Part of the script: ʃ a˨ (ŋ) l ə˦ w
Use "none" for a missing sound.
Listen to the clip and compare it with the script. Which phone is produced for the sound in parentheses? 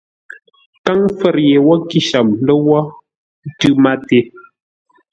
m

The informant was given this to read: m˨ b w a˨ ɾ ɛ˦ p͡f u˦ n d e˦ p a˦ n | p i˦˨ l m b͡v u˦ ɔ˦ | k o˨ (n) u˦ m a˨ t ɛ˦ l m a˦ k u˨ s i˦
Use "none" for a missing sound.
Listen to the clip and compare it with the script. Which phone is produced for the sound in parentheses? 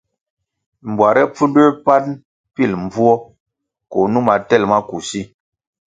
n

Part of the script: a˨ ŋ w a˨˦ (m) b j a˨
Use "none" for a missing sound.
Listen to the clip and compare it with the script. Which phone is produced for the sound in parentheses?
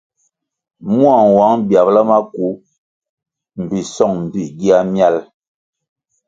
ŋ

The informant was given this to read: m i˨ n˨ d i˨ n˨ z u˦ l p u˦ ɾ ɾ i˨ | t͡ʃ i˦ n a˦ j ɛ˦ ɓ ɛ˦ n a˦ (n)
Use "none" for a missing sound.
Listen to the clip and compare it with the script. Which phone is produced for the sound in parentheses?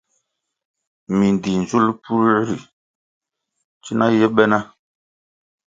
none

